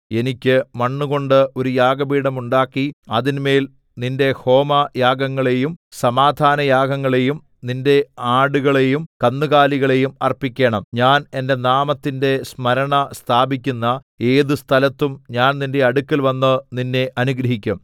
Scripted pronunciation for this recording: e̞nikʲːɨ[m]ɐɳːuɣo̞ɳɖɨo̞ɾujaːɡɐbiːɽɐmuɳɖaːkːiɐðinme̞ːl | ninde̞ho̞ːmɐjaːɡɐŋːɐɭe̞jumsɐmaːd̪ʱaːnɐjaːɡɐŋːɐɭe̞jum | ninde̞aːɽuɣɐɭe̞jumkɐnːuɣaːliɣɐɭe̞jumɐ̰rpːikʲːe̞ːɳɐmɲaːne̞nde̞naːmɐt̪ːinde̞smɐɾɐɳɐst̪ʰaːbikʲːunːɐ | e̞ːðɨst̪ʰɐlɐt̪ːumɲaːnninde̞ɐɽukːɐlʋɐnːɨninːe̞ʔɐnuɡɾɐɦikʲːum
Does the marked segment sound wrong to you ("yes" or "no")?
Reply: no